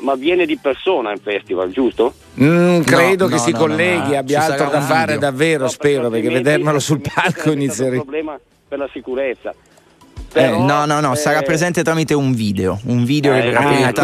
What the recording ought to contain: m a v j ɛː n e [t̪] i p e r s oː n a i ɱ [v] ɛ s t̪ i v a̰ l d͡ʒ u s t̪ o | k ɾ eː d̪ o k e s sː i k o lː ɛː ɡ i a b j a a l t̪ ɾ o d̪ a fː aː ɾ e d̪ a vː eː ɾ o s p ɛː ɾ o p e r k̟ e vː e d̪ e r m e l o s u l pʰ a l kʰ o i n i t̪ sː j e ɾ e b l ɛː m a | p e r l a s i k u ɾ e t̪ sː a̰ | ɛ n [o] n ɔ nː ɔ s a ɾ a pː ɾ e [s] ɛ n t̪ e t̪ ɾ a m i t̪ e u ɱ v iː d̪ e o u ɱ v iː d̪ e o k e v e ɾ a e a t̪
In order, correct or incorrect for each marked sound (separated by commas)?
incorrect, incorrect, incorrect, incorrect